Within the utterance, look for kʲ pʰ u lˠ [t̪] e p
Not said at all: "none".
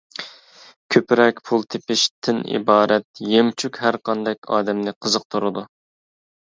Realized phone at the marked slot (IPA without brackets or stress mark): t̪ʰ